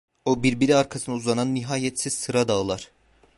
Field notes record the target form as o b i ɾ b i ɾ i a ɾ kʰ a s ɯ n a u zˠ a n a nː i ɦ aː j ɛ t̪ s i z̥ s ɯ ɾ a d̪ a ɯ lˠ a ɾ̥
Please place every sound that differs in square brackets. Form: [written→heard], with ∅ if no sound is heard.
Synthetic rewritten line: o b i ɾ b i ɾ i a ɾ kʰ a s ɯ n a u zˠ a n a nː i ɦ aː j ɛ t̪ s i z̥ s ɯ ɾ a d̪ a ɯ lˠ a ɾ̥